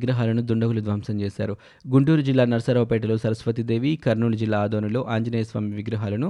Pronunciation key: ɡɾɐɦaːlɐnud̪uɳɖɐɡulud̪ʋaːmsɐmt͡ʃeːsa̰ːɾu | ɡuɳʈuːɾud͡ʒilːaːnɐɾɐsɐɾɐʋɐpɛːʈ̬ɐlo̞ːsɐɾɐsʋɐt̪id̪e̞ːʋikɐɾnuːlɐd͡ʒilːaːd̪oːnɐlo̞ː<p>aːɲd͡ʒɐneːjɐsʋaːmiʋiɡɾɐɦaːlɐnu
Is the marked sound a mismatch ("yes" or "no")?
yes